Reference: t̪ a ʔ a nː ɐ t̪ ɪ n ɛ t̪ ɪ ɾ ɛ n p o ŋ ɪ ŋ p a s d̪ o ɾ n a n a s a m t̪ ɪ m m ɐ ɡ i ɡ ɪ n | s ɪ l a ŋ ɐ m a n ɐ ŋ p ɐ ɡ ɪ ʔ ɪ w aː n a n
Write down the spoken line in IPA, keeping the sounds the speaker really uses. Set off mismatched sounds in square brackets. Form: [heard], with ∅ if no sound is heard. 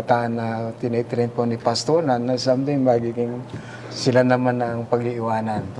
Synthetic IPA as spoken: t̪ a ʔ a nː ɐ t̪ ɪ n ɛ t̪ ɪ ɾ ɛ n p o [n] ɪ [∅] p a s [t̪] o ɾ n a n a s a m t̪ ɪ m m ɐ ɡ i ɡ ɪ [ŋ] | s ɪ l a [n] ɐ m a n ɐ ŋ p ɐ ɡ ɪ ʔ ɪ w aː n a n